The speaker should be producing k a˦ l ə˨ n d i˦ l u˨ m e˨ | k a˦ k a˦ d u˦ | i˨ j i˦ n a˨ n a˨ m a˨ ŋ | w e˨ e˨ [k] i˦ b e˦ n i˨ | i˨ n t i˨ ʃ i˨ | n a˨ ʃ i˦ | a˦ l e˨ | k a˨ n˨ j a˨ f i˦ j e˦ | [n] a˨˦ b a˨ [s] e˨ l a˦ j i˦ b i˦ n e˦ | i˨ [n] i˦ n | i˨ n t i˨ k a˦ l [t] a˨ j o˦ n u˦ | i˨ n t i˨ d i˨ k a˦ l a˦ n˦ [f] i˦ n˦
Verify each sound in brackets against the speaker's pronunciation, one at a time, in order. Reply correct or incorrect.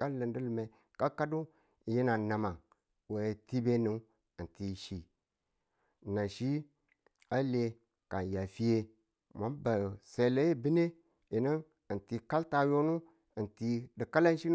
incorrect: t, incorrect: m, correct, correct, correct, incorrect: ʃ

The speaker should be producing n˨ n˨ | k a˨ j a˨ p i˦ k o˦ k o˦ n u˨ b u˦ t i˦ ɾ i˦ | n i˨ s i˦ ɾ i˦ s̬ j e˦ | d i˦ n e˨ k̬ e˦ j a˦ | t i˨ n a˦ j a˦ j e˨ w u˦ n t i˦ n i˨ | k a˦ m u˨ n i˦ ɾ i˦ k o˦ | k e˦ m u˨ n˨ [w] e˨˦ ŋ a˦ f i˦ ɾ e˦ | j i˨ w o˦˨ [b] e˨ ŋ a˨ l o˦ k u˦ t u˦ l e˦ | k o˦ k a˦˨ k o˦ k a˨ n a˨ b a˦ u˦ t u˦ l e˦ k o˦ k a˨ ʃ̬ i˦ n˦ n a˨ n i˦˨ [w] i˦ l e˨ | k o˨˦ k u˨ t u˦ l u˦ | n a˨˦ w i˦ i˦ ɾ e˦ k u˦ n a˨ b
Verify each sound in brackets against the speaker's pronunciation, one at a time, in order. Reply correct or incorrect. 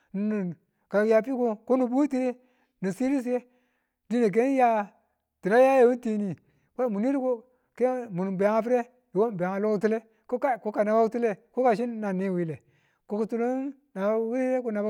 incorrect: b, correct, correct

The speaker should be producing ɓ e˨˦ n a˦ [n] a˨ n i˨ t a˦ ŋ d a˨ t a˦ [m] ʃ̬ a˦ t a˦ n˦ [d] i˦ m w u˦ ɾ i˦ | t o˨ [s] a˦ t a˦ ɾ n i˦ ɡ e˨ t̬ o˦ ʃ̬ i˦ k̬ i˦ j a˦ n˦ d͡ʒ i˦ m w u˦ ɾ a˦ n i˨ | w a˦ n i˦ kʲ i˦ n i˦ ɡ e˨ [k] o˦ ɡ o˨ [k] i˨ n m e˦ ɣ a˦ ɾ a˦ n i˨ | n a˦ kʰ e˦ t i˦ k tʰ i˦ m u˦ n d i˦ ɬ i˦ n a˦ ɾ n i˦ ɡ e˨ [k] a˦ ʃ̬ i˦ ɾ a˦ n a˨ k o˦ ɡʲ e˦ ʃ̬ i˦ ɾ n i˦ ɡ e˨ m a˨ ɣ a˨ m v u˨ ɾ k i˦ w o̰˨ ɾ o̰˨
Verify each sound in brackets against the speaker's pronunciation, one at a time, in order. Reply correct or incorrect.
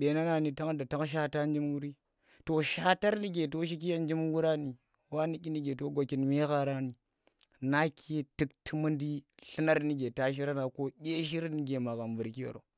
correct, incorrect: ŋ, incorrect: d͡ʒ, incorrect: ʃ, incorrect: t, correct, incorrect: t

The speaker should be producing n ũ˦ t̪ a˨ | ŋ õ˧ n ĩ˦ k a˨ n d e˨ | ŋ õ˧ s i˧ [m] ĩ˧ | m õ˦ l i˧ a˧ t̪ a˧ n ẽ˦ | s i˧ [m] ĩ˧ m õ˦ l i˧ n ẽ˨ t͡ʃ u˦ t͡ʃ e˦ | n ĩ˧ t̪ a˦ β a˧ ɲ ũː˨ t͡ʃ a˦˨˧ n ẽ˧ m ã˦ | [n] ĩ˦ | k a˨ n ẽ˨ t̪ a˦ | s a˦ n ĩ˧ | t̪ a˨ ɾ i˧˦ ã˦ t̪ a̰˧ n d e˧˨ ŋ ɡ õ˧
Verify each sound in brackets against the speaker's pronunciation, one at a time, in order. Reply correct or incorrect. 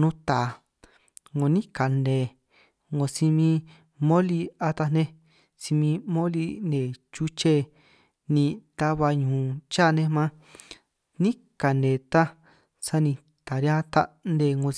correct, correct, correct

